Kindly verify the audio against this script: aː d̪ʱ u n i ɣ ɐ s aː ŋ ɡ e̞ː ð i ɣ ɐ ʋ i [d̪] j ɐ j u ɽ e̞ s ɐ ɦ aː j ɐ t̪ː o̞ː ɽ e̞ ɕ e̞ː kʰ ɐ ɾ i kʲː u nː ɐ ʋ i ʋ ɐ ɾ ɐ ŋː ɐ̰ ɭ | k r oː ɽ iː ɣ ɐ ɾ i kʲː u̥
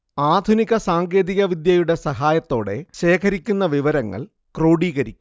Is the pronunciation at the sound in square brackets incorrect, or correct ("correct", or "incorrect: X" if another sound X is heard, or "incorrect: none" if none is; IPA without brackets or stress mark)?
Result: correct